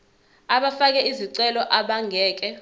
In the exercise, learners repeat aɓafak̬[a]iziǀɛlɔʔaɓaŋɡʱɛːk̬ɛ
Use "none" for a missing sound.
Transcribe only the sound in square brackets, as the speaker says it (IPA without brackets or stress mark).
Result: ɛ